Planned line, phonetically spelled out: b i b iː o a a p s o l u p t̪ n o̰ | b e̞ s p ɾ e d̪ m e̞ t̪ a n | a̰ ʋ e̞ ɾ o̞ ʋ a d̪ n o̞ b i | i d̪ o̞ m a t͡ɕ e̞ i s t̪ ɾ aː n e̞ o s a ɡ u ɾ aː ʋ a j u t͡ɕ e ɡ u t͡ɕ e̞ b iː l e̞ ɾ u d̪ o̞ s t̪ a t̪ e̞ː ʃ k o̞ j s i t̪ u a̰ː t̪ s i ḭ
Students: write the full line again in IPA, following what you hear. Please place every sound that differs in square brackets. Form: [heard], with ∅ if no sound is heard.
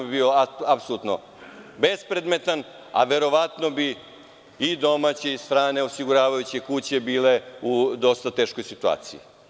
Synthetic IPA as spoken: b i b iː o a a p s o l u [∅] t̪ n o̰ | b e̞ s p ɾ e d̪ m e̞ t̪ a n | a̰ ʋ e̞ ɾ o̞ ʋ a [t̪] n o̞ b i | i d̪ o̞ m a t͡ɕ e̞ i s t̪ ɾ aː n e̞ o s [i] ɡ u ɾ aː ʋ a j u t͡ɕ e [k] u t͡ɕ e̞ b iː l e̞ [∅] u d̪ o̞ s t̪ a t̪ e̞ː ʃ k o̞ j s i t̪ u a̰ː t̪ s i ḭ